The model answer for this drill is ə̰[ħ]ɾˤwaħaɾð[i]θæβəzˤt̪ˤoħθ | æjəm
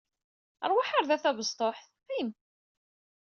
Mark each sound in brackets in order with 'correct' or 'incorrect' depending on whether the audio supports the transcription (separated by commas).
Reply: incorrect, incorrect